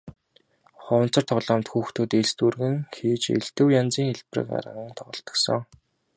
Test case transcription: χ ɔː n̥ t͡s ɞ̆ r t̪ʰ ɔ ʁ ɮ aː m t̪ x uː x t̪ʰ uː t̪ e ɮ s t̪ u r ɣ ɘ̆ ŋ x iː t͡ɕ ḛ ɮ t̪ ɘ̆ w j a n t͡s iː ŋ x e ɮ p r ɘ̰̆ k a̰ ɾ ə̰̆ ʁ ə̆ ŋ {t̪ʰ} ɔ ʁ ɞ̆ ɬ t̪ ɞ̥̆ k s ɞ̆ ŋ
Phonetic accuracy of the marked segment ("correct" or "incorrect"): correct